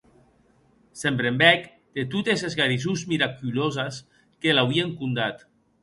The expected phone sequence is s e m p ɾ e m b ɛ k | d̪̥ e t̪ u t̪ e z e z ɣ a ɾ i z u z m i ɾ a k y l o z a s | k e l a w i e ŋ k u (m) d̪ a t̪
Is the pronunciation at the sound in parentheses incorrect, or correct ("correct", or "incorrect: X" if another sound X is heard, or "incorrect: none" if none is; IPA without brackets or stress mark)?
incorrect: n